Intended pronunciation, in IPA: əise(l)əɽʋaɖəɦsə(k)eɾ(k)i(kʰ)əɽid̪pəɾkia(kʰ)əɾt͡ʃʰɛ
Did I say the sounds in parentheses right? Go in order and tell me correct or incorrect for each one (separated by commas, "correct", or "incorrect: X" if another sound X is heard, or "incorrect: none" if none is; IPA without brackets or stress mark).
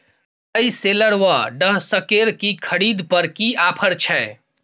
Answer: correct, correct, correct, correct, incorrect: pʰ